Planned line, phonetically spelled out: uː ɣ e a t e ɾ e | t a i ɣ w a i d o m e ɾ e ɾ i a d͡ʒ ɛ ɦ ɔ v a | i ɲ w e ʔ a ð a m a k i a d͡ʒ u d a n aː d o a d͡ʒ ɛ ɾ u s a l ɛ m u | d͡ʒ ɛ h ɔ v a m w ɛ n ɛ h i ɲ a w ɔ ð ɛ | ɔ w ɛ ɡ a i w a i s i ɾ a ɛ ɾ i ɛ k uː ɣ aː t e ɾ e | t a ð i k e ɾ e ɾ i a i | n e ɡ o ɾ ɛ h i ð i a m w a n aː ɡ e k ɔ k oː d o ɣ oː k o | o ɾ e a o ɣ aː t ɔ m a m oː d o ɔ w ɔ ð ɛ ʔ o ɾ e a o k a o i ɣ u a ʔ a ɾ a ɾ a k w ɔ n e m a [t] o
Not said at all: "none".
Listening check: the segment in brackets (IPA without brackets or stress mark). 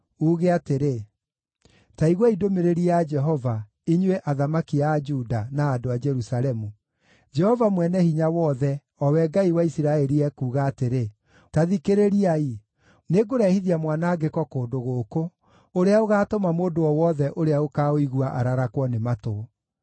t